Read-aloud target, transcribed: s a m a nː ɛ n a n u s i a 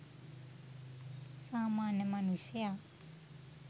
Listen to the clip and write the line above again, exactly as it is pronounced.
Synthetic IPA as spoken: s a m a n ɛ m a n u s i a